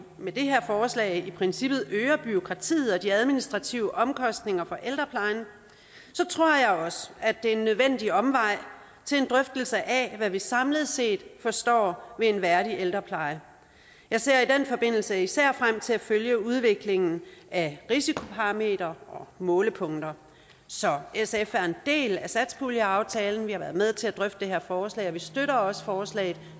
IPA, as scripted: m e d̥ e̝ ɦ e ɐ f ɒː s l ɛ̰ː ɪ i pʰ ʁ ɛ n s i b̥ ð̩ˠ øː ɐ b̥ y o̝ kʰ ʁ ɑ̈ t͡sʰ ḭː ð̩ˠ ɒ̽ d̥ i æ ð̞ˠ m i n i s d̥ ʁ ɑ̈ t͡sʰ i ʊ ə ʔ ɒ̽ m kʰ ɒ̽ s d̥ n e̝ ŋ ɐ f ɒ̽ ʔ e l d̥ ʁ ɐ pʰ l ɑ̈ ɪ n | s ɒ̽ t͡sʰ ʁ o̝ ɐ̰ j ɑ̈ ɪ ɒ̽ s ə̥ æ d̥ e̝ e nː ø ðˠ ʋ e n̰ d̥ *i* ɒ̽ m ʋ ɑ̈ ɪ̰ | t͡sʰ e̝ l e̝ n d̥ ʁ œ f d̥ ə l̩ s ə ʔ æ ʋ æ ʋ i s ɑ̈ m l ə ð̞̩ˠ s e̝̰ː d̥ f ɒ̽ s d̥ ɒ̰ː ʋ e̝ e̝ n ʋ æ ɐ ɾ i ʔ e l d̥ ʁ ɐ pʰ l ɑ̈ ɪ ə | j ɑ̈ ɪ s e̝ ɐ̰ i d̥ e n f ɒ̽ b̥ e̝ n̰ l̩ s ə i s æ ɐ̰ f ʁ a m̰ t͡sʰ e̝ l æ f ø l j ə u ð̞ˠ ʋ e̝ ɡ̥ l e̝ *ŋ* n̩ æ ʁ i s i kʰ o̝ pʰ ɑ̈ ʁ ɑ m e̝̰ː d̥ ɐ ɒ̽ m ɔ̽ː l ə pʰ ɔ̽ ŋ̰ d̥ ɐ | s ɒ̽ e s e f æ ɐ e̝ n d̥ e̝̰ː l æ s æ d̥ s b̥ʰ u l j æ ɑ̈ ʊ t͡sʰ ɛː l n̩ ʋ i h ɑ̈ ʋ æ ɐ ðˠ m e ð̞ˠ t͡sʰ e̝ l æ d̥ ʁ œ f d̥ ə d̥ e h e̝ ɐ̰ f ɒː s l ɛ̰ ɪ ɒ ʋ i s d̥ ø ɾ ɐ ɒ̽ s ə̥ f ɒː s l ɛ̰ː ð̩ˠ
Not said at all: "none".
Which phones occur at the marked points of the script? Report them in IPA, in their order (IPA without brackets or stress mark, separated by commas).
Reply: i, ŋ